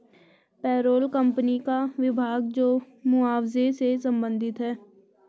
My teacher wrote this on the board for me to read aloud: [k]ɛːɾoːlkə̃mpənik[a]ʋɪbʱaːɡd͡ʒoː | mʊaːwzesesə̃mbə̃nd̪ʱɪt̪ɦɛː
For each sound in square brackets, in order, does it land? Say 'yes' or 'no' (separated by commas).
no, yes